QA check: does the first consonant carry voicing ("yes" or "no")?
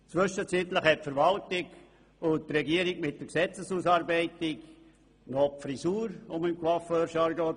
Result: no